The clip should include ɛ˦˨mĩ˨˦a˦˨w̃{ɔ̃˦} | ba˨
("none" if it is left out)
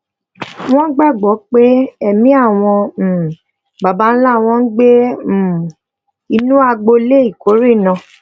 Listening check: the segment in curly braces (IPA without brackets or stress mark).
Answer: ɔ̃˧˨